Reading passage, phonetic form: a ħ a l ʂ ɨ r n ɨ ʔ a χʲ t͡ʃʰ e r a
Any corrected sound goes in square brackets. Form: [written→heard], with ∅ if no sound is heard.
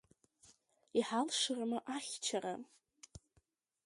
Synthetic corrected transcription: [a→i] ħ a l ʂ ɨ r [n→m] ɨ ʔ a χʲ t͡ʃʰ [e→a] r a